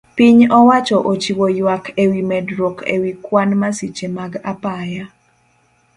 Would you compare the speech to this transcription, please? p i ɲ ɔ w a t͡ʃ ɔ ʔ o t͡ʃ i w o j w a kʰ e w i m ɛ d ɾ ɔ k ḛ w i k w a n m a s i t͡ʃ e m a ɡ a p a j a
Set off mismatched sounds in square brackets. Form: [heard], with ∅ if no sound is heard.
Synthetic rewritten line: p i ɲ ɔ w a t͡ʃ ɔ ʔ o t͡ʃ i w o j w a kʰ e w i m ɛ d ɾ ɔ k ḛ w i k w a n m a s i t͡ʃ e m a ɡ a p a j a